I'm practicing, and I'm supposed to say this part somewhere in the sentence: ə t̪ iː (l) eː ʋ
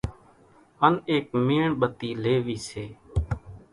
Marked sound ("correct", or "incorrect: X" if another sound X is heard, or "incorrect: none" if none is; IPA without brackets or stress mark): correct